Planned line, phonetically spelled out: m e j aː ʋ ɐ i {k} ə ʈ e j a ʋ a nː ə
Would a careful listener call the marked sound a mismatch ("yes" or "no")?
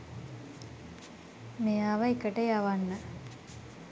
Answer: no